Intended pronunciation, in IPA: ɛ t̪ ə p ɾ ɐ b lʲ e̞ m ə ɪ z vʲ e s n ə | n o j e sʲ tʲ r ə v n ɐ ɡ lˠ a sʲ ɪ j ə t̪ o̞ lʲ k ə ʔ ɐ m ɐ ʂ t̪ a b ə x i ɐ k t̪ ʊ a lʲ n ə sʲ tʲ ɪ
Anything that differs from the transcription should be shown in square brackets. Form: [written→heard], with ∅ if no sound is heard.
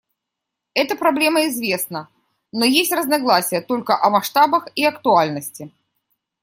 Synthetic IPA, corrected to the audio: ɛ t̪ ə p ɾ ɐ b lʲ e̞ m ə ɪ z vʲ e s n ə | n o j e sʲ tʲ r ə [v→z] n ɐ ɡ lˠ a sʲ ɪ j ə t̪ o̞ lʲ k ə ʔ ɐ m ɐ ʂ t̪ a b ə x i ɐ k t̪ ʊ a lʲ n ə sʲ tʲ ɪ